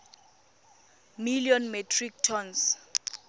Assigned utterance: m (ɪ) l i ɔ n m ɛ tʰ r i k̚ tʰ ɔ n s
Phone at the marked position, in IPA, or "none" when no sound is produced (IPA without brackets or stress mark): i